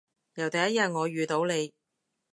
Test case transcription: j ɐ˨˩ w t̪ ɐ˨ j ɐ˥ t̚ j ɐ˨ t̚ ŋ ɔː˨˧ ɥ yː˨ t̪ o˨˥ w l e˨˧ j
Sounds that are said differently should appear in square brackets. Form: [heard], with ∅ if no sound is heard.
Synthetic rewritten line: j ɐ˨˩ w t̪ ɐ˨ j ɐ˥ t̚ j ɐ˨ t̚ ŋ ɔː˨˧ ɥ yː˨ t̪ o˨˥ w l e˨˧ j

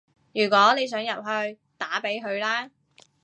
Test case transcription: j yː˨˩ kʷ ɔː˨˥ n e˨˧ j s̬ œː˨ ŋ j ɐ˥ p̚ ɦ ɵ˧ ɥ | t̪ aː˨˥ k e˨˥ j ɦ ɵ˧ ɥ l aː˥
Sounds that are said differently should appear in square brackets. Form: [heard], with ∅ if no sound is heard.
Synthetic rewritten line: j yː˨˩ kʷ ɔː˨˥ n e˨˧ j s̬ [œː˨˥] ŋ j [ɐ˨] p̚ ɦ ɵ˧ ɥ | t̪ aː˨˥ [p] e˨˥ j ɦ ɵ˧ ɥ l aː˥

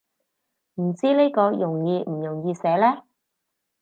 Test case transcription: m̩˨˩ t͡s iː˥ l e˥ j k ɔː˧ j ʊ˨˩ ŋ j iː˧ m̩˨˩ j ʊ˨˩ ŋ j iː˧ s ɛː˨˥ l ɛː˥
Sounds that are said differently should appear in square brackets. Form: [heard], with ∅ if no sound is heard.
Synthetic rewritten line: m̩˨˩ t͡s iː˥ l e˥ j k ɔː˧ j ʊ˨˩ ŋ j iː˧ m̩˨˩ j ʊ˨˩ ŋ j iː˧ s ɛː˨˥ l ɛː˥

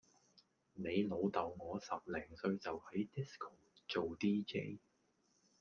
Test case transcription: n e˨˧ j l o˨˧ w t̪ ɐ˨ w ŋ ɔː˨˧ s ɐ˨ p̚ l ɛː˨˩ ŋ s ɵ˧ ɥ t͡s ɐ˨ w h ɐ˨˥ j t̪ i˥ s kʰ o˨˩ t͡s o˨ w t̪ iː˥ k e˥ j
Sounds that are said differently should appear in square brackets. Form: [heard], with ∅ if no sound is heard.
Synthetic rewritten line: n e˨˧ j l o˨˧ w t̪ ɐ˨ w ŋ ɔː˨˧ s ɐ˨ p̚ l ɛː˨˩ ŋ s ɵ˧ ɥ t͡s ɐ˨ w h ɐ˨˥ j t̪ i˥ s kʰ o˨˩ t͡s o˨ w t̪ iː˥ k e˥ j

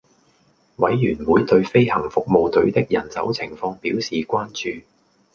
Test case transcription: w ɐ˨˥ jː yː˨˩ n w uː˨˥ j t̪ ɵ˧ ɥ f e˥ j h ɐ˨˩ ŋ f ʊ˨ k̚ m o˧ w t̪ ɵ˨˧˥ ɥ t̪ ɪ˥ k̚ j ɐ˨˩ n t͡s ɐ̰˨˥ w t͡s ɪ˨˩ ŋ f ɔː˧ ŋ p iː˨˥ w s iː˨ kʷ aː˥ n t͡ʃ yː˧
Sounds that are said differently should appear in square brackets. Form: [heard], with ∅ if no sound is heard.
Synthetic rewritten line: w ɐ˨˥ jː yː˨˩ n w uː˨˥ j t̪ ɵ˧ ɥ f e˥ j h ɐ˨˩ ŋ f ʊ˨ k̚ m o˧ w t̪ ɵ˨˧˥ ɥ t̪ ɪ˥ k̚ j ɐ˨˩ n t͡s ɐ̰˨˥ w [t͡sʰ] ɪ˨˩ ŋ f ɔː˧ ŋ p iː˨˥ w s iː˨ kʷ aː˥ n t͡ʃ yː˧

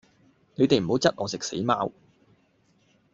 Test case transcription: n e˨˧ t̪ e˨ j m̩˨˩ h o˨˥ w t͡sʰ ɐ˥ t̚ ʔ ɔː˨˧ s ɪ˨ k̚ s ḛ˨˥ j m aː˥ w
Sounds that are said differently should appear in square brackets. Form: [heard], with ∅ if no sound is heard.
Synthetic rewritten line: n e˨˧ t̪ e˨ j m̩˨˩ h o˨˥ w [t͡s] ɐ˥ t̚ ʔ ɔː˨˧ s ɪ˨ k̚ s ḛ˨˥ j m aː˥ w

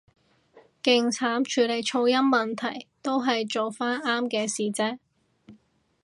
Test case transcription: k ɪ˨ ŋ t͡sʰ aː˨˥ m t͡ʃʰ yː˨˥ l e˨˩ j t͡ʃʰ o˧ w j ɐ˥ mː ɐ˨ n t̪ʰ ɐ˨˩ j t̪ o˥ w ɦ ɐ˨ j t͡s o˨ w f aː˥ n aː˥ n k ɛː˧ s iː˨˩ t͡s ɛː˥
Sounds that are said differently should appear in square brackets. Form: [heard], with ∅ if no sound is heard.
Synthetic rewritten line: k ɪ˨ ŋ t͡sʰ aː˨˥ m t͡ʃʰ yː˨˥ l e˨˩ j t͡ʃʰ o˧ w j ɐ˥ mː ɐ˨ n t̪ʰ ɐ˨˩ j t̪ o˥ w ɦ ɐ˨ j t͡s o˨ w f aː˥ n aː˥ [m] k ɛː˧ s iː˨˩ t͡s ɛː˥

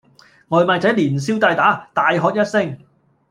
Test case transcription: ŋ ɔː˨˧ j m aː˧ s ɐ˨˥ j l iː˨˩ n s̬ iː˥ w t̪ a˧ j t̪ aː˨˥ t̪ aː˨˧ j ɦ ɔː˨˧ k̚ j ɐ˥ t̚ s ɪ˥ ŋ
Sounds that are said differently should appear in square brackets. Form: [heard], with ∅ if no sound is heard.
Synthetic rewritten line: ŋ ɔː˨˧ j m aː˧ [t͡s] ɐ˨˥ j l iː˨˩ n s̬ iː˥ w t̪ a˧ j t̪ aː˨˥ t̪ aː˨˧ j ɦ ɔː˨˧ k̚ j ɐ˥ t̚ s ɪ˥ ŋ

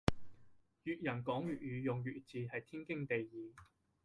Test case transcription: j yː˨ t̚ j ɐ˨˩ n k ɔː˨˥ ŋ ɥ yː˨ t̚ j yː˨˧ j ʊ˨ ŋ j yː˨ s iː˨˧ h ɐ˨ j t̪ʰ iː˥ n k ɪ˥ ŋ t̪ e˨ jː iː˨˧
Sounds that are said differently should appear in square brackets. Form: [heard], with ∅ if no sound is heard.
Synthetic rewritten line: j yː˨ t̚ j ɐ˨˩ n k ɔː˨˥ ŋ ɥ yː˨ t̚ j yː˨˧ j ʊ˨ ŋ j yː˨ [t͡s] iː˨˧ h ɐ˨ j t̪ʰ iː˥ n k ɪ˥ ŋ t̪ e˨ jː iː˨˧

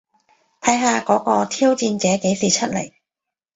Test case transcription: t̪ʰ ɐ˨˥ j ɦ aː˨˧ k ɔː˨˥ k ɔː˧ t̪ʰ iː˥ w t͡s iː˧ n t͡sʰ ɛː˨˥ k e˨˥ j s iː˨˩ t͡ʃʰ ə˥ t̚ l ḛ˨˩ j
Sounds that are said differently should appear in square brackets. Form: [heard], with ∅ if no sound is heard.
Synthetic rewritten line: t̪ʰ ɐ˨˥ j ɦ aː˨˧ k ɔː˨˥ k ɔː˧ t̪ʰ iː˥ w t͡s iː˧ n [t͡s] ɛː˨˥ k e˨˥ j s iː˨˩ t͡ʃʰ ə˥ t̚ l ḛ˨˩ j

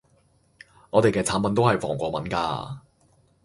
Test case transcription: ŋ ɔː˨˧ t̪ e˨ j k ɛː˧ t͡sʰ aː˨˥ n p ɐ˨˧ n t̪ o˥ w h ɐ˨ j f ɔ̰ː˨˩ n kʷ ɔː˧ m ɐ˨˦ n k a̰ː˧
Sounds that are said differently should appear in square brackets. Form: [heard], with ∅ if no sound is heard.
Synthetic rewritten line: ŋ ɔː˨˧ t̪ e˨ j k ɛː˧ t͡sʰ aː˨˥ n p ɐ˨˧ n t̪ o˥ w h ɐ˨ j f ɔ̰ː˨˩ [ŋ] kʷ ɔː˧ m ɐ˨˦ n k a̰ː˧

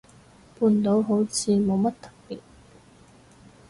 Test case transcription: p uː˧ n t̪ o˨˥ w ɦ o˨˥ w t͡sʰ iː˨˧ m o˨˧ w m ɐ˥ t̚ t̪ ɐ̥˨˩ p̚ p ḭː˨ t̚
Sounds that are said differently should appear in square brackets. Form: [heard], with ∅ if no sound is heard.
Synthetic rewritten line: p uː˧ n t̪ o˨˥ w ɦ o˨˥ w t͡sʰ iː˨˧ m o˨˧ w m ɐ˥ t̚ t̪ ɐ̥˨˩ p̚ p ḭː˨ t̚

